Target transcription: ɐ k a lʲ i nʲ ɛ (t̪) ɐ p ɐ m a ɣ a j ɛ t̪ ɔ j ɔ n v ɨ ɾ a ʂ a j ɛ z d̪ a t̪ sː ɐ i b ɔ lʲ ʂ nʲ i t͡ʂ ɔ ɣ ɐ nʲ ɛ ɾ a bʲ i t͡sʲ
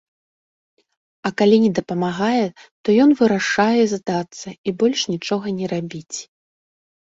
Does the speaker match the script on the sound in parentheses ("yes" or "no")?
no